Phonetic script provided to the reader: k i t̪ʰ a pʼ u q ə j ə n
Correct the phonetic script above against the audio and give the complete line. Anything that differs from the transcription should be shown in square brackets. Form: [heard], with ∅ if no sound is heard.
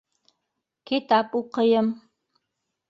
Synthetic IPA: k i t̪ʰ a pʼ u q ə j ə [m]